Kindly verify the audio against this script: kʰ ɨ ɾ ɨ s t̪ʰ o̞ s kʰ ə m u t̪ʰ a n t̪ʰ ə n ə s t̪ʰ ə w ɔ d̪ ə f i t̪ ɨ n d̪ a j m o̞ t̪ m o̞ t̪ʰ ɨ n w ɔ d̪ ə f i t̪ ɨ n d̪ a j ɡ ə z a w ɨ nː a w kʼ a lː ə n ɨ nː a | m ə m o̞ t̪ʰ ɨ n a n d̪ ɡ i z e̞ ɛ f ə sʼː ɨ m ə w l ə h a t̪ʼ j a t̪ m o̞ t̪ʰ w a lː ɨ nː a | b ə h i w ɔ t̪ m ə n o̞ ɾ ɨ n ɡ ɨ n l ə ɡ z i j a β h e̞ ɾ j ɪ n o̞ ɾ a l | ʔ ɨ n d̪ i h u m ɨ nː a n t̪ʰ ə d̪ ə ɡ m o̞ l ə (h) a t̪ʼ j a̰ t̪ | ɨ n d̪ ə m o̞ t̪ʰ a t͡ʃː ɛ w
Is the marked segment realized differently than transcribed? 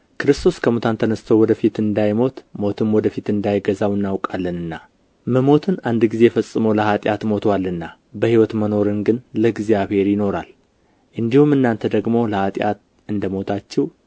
no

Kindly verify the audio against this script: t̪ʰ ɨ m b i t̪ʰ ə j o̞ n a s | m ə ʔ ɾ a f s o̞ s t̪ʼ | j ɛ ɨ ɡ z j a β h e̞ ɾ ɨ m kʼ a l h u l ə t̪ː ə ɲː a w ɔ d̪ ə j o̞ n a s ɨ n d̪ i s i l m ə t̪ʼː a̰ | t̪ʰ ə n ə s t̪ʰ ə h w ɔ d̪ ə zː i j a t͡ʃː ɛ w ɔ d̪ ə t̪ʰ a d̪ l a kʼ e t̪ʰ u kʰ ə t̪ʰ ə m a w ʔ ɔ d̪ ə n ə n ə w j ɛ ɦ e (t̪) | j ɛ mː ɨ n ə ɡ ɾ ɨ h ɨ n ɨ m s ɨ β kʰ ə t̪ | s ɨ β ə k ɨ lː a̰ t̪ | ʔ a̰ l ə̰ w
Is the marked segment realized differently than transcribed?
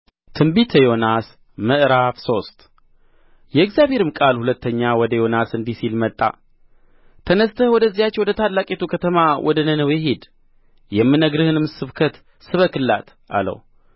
yes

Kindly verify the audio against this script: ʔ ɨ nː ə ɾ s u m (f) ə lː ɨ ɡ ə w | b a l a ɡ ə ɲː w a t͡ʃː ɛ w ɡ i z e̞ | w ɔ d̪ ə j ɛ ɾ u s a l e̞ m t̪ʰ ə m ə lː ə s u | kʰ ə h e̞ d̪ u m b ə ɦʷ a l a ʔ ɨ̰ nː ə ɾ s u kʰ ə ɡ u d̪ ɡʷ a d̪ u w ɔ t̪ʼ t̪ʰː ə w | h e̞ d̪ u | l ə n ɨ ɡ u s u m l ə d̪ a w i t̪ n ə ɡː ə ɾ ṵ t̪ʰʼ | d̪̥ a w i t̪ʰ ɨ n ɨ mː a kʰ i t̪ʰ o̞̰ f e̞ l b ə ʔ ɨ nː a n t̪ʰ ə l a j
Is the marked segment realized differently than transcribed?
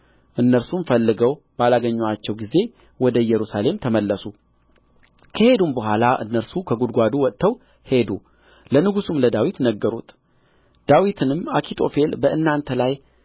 no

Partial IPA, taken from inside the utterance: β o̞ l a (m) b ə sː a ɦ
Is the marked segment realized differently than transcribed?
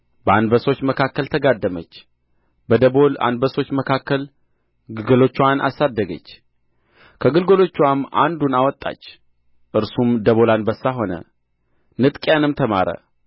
yes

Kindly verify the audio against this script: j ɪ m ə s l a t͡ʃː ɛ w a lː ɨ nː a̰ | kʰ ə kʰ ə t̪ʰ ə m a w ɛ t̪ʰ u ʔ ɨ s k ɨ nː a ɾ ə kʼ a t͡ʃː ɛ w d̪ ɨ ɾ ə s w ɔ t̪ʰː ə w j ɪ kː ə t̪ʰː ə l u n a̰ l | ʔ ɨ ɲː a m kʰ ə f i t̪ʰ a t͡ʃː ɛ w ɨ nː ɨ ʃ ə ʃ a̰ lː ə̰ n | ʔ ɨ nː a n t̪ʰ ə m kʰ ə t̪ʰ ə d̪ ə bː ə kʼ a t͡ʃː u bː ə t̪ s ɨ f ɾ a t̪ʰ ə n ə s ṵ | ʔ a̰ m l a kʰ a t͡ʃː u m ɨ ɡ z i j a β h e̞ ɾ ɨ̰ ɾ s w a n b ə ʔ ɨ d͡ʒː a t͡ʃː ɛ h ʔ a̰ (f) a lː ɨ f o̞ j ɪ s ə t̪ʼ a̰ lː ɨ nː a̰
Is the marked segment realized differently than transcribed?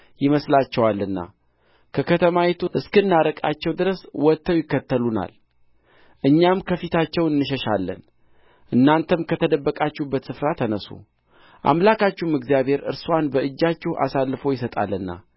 yes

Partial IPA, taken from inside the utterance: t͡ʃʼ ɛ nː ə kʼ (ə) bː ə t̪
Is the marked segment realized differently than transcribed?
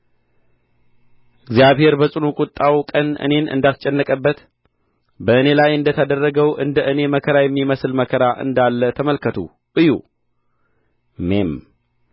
no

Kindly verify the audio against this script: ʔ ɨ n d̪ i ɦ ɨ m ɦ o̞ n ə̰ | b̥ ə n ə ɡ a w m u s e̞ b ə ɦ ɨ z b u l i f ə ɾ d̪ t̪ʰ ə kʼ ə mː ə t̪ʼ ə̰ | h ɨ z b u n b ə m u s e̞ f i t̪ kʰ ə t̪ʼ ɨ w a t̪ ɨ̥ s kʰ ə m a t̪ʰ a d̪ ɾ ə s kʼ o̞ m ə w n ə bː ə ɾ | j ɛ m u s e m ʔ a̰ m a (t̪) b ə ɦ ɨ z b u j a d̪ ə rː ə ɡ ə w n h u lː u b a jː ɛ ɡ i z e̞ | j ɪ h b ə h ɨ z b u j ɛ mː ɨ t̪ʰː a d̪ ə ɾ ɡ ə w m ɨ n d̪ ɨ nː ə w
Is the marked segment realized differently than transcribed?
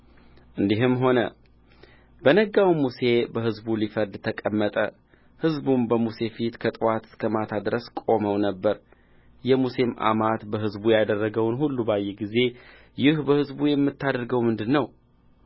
no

